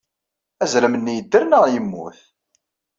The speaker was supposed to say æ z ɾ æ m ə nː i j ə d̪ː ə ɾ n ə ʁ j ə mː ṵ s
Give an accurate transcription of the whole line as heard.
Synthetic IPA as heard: æ z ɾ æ m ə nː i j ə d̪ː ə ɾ n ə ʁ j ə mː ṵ θ